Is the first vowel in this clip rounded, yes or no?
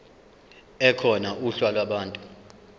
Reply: no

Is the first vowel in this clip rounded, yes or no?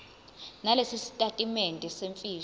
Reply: no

